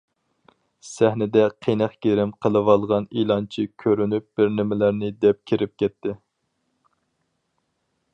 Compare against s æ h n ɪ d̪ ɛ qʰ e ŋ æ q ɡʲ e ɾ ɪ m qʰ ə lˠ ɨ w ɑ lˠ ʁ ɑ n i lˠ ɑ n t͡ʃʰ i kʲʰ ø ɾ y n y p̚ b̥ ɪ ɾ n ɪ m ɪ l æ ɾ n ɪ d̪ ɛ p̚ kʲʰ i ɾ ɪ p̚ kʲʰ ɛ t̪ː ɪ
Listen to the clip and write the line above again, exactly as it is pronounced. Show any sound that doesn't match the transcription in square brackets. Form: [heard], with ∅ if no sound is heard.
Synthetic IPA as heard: s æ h n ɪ d̪ ɛ qʰ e [n] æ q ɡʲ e ɾ ɪ m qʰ ə lˠ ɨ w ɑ lˠ ʁ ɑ n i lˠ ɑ n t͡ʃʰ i kʲʰ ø ɾ y n y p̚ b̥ ɪ ɾ n ɪ m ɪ l æ ɾ n ɪ d̪ ɛ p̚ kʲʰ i ɾ ɪ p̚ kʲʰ ɛ t̪ː ɪ